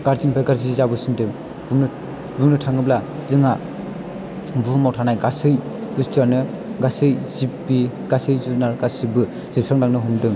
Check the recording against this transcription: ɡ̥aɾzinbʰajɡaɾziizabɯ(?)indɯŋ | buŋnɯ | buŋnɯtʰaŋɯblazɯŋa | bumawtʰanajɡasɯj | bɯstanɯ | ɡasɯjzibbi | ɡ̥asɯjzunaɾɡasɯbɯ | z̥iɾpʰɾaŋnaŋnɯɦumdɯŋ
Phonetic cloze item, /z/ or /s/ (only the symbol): s